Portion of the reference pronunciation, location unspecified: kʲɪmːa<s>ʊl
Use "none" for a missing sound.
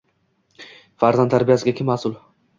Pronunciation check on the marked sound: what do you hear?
s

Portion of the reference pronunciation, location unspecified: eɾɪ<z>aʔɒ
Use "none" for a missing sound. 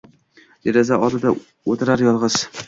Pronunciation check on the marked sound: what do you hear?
z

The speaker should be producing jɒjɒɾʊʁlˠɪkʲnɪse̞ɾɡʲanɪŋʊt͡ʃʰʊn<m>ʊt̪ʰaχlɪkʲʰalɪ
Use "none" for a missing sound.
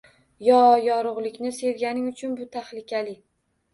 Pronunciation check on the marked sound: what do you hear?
b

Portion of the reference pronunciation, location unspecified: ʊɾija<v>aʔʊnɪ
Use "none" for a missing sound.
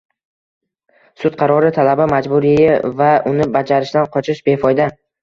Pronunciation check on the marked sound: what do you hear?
v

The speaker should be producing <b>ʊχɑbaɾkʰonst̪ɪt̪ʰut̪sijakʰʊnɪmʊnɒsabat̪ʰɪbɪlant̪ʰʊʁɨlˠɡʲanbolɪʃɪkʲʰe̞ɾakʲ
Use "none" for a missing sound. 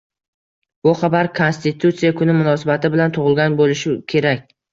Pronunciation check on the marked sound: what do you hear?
b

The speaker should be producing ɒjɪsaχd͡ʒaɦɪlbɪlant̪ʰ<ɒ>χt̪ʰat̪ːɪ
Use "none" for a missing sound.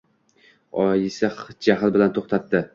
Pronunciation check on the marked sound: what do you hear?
o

